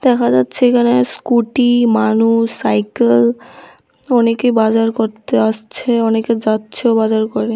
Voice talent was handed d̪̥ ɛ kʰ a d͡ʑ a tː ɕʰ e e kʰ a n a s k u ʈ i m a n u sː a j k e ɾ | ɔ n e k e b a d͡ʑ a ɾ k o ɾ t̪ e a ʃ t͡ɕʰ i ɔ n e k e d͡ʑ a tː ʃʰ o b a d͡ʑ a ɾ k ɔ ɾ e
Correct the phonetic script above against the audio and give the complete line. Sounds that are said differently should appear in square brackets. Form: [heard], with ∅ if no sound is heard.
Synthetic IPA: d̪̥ ɛ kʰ a d͡ʑ a tː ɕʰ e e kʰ a n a s k u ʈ i m a n u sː a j k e [l] | ɔ n e k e b a d͡ʑ a ɾ k o ɾ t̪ e a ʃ t͡ɕʰ [e] ɔ n e k e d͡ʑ a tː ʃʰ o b a d͡ʑ a ɾ k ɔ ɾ e